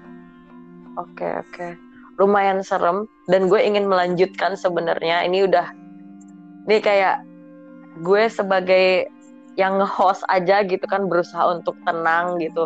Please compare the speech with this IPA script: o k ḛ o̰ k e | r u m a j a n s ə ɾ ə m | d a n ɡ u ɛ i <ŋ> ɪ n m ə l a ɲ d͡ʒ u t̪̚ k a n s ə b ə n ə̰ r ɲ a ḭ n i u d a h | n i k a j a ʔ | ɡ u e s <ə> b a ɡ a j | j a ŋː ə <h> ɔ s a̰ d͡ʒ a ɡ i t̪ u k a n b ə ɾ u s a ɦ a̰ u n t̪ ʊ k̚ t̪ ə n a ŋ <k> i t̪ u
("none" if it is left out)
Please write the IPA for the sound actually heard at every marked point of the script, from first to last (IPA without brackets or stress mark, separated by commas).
ŋ, ə, h, ɡ